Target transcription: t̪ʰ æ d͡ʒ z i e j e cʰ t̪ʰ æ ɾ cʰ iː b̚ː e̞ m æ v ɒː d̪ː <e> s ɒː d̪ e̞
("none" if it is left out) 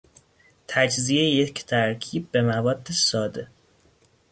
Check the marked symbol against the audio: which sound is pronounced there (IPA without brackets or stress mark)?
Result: e